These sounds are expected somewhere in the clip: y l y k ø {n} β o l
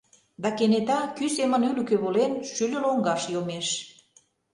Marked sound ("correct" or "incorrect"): incorrect